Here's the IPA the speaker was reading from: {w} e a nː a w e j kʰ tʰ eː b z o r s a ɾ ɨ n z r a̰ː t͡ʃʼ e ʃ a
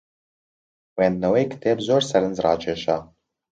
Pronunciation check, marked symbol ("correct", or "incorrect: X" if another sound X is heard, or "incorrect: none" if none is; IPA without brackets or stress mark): correct